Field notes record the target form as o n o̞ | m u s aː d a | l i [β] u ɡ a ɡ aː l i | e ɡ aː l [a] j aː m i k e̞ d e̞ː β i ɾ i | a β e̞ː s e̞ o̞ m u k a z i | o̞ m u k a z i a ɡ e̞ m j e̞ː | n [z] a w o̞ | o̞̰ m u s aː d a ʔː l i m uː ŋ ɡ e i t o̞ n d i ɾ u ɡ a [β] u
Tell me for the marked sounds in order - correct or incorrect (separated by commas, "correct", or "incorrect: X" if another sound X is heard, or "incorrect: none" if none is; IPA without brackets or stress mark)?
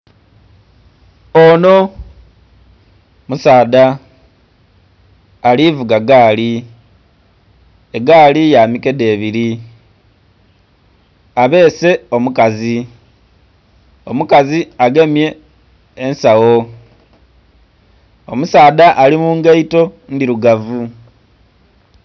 incorrect: v, incorrect: i, incorrect: s, incorrect: v